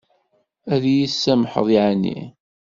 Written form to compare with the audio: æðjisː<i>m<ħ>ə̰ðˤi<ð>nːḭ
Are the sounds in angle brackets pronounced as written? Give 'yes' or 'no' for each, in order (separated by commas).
no, yes, no